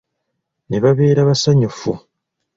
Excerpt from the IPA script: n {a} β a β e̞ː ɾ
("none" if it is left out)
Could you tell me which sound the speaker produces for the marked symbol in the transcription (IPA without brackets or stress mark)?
e